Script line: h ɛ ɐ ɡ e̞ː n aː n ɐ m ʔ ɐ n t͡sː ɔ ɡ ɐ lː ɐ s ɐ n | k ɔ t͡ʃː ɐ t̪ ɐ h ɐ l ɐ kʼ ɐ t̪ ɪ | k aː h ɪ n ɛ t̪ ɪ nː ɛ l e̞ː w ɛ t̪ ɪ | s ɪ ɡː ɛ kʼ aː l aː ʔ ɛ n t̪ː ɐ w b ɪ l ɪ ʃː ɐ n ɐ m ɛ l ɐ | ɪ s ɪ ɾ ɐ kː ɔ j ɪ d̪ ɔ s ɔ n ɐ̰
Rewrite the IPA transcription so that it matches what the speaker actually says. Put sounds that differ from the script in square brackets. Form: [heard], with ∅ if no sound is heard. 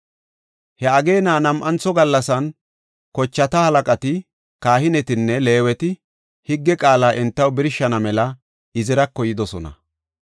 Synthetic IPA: h ɛ ɐ ɡ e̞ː n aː n ɐ m ʔ ɐ n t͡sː ɔ ɡ ɐ lː ɐ s ɐ n | k ɔ t͡ʃː ɐ t̪ ɐ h ɐ l ɐ kʼ ɐ t̪ ɪ | k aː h ɪ n ɛ t̪ ɪ nː ɛ l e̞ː w ɛ t̪ ɪ | [h] ɪ ɡː ɛ kʼ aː l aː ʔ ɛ n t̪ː ɐ w b ɪ [ɾ] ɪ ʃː ɐ n ɐ m ɛ l ɐ | ɪ [z] ɪ ɾ ɐ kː ɔ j ɪ d̪ ɔ s ɔ n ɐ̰